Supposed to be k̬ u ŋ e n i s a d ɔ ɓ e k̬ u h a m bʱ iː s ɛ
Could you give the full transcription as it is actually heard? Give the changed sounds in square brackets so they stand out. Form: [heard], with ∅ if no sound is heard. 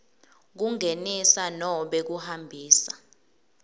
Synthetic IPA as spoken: k̬ u ŋ e n i s a [n] ɔ ɓ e k̬ u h a m bʱ iː s [a]